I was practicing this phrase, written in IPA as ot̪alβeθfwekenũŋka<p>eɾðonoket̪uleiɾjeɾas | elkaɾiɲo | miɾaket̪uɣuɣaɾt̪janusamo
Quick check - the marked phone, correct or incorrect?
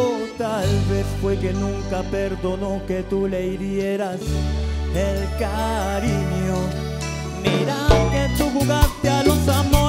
correct